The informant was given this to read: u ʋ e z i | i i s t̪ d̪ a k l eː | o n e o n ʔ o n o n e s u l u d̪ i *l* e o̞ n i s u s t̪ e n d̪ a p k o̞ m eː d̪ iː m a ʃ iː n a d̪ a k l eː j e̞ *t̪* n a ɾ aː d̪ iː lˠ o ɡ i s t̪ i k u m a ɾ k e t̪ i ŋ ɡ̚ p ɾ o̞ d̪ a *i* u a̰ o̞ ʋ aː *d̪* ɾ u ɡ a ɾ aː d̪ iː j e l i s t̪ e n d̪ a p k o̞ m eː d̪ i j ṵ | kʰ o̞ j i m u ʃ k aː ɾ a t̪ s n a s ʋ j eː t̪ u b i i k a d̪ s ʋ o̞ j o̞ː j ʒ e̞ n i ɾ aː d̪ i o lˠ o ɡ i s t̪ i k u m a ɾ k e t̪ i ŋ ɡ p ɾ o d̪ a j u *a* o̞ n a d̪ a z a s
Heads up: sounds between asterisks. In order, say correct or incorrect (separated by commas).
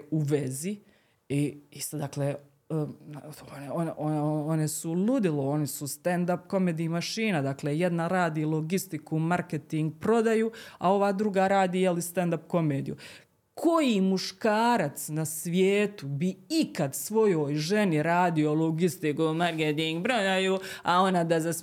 correct, incorrect, incorrect, correct, correct